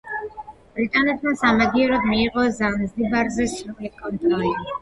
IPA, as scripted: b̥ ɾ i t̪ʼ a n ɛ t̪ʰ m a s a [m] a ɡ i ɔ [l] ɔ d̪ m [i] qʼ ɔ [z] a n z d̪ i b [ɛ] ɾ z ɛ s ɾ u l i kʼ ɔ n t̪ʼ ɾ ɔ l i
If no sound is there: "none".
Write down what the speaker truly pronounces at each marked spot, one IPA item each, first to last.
m, ɾ, iː, z, a

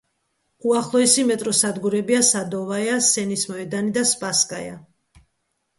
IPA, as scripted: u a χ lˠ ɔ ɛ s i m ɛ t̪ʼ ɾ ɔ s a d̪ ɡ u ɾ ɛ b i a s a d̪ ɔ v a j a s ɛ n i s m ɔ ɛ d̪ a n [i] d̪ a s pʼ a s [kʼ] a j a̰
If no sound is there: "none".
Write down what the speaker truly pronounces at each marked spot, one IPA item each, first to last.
i, kʼ

